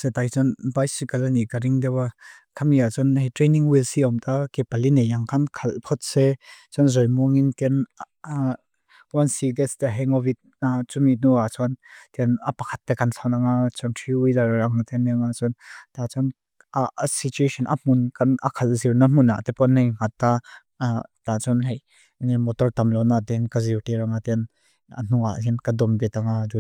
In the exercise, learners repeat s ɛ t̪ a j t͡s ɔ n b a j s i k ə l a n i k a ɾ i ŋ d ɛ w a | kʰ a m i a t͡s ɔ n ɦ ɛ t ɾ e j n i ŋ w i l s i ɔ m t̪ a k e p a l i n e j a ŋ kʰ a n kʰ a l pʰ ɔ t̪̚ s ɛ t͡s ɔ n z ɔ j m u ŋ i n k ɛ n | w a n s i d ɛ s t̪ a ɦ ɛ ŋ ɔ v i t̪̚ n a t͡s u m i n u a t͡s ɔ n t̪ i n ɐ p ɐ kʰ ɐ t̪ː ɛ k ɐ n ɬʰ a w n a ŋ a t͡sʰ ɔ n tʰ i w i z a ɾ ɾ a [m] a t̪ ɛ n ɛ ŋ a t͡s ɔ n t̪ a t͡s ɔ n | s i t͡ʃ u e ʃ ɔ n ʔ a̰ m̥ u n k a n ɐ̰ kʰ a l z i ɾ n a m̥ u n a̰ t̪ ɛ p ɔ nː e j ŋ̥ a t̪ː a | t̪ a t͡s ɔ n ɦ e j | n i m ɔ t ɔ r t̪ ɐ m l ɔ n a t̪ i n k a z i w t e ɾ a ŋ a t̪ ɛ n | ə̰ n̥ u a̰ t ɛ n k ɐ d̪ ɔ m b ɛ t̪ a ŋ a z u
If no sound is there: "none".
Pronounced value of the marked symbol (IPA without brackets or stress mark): ŋ